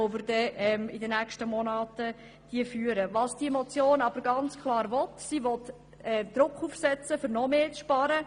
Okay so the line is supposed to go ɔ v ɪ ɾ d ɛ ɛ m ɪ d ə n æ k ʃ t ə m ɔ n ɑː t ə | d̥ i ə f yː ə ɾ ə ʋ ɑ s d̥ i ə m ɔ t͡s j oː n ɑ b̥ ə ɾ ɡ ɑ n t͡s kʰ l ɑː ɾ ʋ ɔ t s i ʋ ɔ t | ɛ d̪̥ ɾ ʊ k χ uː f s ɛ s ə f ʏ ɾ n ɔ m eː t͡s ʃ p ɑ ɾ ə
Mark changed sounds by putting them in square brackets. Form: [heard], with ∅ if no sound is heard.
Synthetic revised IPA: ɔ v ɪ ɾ d ɛ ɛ m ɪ d ə n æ k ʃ t ə m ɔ n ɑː t ə | d̥ i ə f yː ə ɾ ə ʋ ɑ s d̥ i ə m ɔ t͡s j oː n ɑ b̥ ə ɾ ɡ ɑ n t͡s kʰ l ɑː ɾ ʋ ɔ t s i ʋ ɔ t | ɛ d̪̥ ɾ ʊ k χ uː f s ɛ [t͡s] ə f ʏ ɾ n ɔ m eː t͡s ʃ p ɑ ɾ ə